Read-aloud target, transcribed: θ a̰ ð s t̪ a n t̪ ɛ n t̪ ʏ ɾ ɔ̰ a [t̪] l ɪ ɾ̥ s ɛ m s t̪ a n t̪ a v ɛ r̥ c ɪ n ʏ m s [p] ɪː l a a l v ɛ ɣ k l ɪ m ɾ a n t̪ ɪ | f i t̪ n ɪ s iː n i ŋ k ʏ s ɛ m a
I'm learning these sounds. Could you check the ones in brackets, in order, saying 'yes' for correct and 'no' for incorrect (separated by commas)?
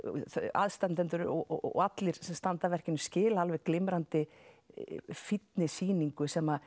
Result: yes, no